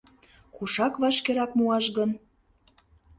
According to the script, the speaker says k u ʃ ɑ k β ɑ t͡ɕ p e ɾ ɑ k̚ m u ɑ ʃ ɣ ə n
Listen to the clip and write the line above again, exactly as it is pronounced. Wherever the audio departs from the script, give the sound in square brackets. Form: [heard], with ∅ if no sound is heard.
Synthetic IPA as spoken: k u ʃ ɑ k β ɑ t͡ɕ [k] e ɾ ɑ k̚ m u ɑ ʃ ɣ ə n